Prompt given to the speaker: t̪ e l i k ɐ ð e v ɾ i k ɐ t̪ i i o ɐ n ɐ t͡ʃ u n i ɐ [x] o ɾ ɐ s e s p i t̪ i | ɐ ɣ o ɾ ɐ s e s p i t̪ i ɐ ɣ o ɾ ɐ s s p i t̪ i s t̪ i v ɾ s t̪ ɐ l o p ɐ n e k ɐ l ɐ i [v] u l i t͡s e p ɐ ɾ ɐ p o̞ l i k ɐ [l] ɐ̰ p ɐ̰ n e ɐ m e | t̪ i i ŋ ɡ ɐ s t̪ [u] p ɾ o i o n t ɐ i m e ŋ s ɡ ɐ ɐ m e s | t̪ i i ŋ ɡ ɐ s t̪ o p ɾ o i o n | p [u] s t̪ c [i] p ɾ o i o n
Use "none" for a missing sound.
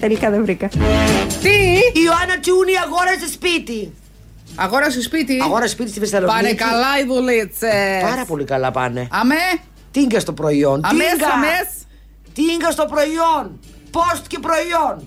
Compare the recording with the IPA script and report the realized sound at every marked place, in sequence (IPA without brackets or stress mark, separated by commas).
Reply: ɣ, ð, l, o, o, e